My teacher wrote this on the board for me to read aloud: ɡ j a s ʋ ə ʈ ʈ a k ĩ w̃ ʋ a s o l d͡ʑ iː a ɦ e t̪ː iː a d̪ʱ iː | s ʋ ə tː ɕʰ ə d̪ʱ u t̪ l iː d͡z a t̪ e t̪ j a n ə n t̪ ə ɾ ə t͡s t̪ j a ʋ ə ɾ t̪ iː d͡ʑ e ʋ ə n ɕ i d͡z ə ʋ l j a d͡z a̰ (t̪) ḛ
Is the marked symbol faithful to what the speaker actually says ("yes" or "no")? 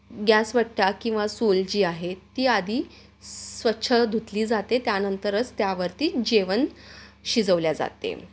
yes